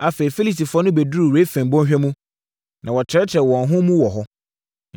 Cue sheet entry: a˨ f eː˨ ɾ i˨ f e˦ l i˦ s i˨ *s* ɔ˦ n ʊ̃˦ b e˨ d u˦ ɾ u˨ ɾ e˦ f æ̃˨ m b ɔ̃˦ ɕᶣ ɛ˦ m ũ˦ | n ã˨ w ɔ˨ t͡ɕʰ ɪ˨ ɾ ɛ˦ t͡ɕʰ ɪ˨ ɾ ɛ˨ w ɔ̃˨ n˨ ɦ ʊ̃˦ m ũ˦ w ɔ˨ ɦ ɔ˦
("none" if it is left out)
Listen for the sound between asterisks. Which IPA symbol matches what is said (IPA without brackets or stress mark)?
f